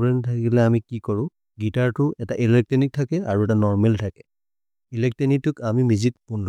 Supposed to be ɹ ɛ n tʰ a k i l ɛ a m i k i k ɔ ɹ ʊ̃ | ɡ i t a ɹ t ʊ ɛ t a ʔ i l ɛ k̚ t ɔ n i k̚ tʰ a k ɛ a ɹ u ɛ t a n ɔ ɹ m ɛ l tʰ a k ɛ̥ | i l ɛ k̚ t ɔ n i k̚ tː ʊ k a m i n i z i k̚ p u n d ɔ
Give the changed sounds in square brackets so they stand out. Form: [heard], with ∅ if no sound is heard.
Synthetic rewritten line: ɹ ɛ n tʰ a k i l ɛ a m i k i k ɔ ɹ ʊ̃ | ɡ i t a ɹ t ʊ ɛ t a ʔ i l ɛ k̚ t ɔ n i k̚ tʰ a k ɛ a ɹ u ɛ t a n ɔ ɹ m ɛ l tʰ a k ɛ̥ | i l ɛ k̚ t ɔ n i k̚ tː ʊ k a m i [m] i z i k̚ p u n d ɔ